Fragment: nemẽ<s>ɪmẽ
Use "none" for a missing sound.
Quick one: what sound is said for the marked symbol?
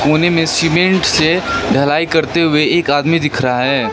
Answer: s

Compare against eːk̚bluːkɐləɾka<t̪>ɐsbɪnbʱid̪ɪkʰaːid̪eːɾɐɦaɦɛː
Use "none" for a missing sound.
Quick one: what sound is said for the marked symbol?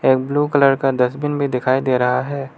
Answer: d̪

